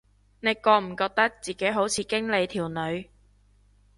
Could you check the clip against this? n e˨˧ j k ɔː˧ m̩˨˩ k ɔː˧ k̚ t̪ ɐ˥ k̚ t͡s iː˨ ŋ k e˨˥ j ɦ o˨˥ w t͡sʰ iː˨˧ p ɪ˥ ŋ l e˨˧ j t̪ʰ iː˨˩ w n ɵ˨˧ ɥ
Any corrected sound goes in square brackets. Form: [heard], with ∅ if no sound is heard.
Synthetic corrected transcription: n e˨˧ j k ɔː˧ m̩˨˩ k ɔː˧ k̚ t̪ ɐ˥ k̚ t͡s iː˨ [∅] k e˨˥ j ɦ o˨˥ w t͡sʰ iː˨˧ [k] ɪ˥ ŋ l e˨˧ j t̪ʰ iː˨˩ w n ɵ˨˧ ɥ